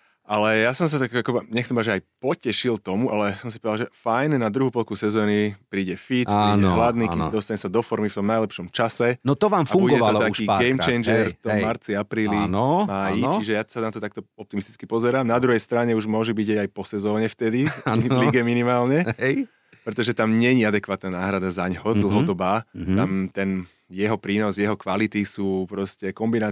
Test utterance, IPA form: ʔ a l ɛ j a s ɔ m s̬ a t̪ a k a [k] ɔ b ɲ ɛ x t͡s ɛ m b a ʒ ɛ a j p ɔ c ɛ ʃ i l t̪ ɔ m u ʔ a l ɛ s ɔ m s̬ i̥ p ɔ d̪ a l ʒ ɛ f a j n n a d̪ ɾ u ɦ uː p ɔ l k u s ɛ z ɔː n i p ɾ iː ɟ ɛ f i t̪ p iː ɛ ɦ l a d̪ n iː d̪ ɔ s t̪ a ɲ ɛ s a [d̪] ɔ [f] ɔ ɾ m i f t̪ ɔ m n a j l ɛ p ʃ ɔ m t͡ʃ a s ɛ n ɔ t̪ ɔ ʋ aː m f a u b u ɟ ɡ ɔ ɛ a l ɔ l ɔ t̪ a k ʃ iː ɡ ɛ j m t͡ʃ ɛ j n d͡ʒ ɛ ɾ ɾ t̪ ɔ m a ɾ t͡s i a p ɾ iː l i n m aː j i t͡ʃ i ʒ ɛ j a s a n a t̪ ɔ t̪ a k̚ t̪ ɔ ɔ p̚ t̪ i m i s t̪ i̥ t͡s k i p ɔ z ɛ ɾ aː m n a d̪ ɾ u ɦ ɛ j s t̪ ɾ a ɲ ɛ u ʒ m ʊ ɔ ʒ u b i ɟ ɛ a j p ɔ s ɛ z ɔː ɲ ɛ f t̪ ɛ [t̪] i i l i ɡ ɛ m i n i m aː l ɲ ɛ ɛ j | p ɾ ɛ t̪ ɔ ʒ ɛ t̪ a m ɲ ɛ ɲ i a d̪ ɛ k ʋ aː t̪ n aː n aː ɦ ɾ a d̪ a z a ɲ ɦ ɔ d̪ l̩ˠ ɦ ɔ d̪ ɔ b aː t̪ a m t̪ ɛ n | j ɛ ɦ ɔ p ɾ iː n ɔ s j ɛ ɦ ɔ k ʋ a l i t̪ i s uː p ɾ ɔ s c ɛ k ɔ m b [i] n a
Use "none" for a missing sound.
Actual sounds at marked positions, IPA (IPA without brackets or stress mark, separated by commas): k, d̪, f, d̪, i